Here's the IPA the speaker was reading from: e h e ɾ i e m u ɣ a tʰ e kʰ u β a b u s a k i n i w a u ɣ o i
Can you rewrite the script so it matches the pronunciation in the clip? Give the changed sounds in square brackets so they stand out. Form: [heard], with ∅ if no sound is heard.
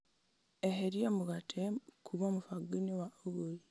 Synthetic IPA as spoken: e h e ɾ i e m u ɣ a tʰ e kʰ u β a [m] u [f] a [ɡ] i n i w a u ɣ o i